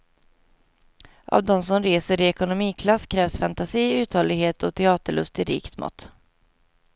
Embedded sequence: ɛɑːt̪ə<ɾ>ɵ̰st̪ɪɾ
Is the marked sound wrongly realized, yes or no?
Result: yes